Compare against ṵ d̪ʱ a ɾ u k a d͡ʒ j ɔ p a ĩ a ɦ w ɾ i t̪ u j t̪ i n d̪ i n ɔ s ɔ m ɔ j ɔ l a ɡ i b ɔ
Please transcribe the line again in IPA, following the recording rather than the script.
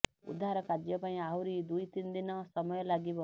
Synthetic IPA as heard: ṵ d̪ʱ a ɾ ɔ k a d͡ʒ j ɔ p a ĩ a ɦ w ɾ i d̪ u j t̪ i n d̪ i n ɔ s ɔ m ɔ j ɔ l a ɡ i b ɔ